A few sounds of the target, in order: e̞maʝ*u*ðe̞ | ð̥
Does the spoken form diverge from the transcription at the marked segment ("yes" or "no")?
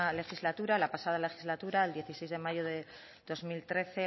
yes